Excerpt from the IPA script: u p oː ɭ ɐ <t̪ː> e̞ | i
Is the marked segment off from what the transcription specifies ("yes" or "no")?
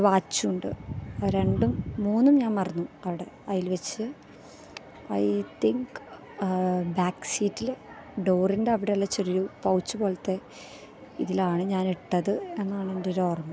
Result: no